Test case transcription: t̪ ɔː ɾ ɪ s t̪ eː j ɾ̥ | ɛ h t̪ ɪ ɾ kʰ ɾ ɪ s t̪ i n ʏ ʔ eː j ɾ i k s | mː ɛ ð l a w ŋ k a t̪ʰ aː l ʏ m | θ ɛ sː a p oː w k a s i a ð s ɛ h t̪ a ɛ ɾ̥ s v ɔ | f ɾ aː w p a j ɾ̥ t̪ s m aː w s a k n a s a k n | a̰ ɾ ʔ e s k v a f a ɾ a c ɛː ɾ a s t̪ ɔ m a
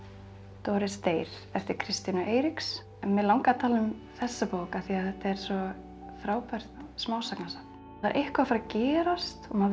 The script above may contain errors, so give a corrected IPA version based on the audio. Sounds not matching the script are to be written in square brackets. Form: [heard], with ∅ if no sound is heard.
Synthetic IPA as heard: t̪ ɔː ɾ ɪ s t̪ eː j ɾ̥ | ɛ [f] t̪ ɪ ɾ kʰ ɾ ɪ s t̪ i n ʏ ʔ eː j ɾ i k s | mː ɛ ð l a w ŋ k a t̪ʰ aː l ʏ m | θ ɛ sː a p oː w k a [θ] i a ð [θ] ɛ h t̪ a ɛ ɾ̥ s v ɔ | f ɾ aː w p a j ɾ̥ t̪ s m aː w s a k n a s a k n | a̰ ɾ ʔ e [h] k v a f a ɾ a c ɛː ɾ a s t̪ ɔ m a